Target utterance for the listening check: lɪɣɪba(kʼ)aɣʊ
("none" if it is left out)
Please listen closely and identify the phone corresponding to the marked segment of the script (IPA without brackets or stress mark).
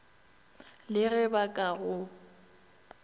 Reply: kʼ